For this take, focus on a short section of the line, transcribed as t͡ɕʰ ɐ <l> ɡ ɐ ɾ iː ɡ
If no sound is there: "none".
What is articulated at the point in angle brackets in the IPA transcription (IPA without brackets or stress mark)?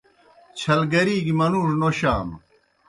l